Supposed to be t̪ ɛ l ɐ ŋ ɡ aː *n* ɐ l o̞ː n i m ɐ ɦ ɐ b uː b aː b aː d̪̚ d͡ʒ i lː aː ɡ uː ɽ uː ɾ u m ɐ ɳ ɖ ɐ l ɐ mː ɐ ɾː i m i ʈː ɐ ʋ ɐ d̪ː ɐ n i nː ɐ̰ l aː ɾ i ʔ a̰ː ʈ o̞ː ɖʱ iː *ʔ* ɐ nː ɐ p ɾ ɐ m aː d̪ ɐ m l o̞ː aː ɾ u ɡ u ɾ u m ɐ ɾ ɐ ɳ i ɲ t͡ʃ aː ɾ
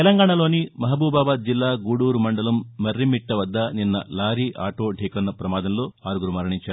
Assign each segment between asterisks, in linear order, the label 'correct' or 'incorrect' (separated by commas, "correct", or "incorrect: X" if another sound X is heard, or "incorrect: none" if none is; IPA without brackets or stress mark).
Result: incorrect: ɳ, incorrect: k